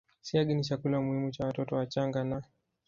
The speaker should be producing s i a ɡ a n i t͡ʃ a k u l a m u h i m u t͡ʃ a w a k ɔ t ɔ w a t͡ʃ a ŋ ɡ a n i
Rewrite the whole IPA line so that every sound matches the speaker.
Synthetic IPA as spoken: s i a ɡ i n i t͡ʃ a k u l a m u h i m u t͡ʃ a w a t ɔ t ɔ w a t͡ʃ a ŋ ɡ a n a